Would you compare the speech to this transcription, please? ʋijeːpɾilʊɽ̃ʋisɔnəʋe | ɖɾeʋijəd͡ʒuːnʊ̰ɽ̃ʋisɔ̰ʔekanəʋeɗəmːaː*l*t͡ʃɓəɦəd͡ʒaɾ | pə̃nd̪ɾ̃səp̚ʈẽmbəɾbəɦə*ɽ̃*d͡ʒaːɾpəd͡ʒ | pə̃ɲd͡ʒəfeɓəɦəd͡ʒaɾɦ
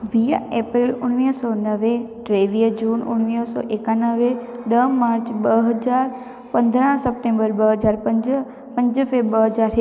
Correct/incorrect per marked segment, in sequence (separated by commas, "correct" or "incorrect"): incorrect, incorrect